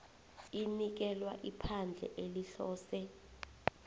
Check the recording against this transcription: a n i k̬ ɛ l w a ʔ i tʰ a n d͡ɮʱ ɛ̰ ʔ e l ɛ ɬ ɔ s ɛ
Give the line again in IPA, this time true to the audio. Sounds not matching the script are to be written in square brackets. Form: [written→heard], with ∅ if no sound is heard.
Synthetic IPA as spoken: [a→i] n i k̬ ɛ l w a ʔ i [tʰ→pʰ] a n d͡ɮʱ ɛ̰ ʔ e l [ɛ→i] ɬ [ɔ→ɔː] s ɛ